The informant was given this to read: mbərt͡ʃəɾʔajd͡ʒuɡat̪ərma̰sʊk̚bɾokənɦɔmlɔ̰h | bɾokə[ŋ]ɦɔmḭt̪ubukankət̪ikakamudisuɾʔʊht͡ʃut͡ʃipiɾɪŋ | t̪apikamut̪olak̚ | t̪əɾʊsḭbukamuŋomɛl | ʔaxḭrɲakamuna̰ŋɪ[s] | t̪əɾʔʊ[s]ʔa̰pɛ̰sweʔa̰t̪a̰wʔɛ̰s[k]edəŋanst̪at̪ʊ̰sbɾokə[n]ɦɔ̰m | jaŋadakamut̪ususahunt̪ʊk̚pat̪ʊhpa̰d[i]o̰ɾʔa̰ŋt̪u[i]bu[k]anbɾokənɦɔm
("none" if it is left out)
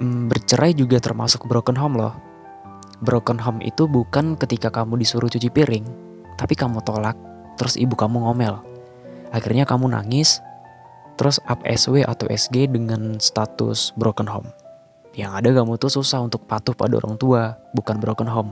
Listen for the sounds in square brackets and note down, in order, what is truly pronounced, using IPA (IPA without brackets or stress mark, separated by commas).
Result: n, s, s, ɡ, n, a, a, k